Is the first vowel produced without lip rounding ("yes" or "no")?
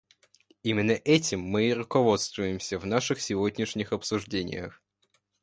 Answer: yes